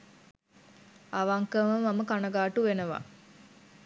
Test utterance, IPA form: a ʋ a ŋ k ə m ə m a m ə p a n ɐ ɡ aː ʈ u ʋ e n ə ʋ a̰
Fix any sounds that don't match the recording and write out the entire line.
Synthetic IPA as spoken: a ʋ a ŋ k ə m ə m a m ə k a n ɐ ɡ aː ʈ u ʋ e n ə ʋ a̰